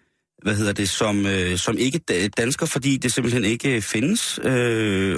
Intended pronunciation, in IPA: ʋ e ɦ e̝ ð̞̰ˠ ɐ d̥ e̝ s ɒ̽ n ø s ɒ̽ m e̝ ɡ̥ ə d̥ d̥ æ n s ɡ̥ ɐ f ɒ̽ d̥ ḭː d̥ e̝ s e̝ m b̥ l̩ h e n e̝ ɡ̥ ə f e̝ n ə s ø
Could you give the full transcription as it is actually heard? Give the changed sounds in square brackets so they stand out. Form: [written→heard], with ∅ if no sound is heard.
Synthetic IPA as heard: ʋ [e→æ] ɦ e̝ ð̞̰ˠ ɐ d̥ e̝ s ɒ̽ [n→m] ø s ɒ̽ m e̝ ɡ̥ ə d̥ d̥ æ n s ɡ̥ ɐ f ɒ̽ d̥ ḭː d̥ e̝ s e̝ m b̥ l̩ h e n e̝ ɡ̥ ə f e̝ n ə s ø